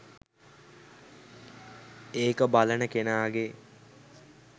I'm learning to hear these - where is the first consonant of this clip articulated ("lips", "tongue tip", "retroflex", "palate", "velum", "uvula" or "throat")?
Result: velum